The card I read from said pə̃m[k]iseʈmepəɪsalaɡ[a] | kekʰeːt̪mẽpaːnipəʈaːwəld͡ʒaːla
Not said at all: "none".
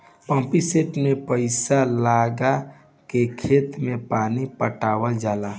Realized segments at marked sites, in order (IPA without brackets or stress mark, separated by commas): p, a